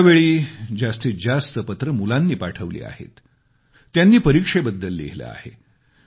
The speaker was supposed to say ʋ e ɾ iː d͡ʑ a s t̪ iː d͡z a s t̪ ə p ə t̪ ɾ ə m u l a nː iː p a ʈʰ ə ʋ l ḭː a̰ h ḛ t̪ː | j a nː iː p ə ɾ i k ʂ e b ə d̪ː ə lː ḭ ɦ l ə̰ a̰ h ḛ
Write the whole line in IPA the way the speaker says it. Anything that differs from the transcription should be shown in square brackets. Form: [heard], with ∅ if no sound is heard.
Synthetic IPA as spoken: ʋ e [ɭ] iː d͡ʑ a s t̪ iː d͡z a s t̪ ə p ə t̪ ɾ ə m u l a nː iː p a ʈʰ ə ʋ l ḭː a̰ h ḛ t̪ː | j a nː iː p ə ɾ i k ʂ e b ə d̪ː ə lː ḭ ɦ l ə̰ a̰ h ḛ